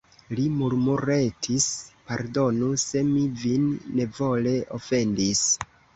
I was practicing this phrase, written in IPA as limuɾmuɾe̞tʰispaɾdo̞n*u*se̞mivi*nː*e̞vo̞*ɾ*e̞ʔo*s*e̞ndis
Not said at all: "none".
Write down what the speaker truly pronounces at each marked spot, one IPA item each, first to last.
u, nː, l, f

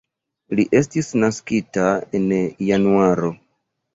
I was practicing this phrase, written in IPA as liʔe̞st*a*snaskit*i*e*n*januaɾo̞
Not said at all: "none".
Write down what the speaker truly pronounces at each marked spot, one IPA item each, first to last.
i, a, n

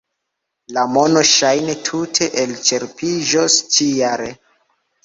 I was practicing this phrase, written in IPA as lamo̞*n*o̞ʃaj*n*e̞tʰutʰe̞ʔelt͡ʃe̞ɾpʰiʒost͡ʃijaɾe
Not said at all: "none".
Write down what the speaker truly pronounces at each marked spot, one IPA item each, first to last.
n, n

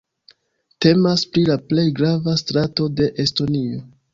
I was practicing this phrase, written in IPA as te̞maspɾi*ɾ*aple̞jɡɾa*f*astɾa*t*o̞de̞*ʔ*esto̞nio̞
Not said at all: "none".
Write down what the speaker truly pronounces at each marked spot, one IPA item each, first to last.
l, v, t, ʔ

